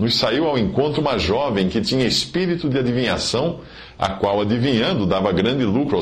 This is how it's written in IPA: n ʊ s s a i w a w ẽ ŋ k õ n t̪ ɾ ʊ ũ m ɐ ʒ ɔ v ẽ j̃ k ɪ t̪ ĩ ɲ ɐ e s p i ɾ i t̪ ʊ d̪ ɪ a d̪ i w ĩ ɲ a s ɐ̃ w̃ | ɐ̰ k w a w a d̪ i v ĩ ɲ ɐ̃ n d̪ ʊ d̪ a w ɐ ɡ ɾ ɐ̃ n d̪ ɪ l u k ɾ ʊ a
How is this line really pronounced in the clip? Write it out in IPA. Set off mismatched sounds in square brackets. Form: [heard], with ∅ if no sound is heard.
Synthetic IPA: n ʊ s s a i w a w ẽ ŋ k õ n t̪ ɾ ʊ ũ m ɐ ʒ ɔ v ẽ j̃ k ɪ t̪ ĩ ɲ ɐ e s p i ɾ i t̪ ʊ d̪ ɪ a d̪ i [v] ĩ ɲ a s ɐ̃ w̃ | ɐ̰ k w a w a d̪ i v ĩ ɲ ɐ̃ n d̪ ʊ d̪ a [v] ɐ ɡ ɾ ɐ̃ n d̪ ɪ l u k ɾ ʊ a